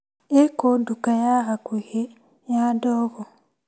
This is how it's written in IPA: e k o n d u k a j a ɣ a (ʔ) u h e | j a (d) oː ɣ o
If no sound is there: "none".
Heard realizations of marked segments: k, d

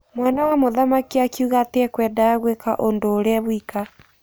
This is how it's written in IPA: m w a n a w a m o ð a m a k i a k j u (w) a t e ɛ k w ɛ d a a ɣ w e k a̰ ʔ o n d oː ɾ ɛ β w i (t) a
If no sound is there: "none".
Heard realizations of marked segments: ɣ, k

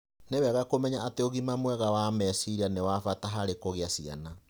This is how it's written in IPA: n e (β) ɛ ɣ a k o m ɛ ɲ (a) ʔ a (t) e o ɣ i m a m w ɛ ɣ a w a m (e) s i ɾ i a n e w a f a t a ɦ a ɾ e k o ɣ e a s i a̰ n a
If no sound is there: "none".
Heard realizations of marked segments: w, a, t, ɛ

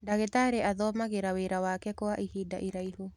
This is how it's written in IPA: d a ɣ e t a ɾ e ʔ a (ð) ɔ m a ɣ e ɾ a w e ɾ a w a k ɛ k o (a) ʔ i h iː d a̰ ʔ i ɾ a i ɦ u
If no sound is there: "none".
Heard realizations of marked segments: ð, a

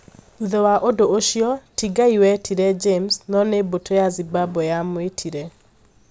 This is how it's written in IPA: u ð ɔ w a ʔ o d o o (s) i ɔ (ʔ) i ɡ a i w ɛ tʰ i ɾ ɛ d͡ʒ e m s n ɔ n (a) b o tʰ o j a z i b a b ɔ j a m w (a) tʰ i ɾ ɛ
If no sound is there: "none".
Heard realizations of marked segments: ʃ, t, e, e

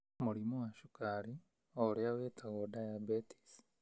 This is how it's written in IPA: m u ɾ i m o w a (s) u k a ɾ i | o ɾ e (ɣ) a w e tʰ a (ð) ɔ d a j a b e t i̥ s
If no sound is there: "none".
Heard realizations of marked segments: ʃ, none, ɣ

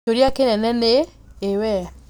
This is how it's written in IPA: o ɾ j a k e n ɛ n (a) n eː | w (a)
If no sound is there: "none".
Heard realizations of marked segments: ɛ, ɛ

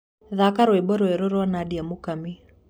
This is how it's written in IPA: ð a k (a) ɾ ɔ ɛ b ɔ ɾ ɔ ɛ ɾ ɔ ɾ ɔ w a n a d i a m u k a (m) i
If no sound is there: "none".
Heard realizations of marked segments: a, m

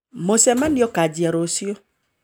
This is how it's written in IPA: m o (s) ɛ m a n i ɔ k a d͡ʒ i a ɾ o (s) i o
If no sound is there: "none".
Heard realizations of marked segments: s, s

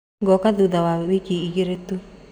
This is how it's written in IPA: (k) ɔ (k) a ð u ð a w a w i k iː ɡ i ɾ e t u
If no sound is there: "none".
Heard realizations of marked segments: ɡ, k

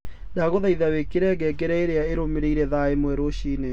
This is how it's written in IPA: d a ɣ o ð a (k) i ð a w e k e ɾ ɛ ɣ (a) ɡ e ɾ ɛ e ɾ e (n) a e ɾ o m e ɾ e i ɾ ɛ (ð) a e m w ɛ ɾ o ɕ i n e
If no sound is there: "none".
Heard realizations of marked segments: none, ɛ, none, ð

